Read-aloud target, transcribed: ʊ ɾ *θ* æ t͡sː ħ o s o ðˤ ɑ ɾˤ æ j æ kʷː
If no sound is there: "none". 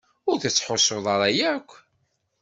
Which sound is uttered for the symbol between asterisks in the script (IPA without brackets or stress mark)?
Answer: θ